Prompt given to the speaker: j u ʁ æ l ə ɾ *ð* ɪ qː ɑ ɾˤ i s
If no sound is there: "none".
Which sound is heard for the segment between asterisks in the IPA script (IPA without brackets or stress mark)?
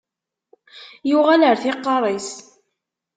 θ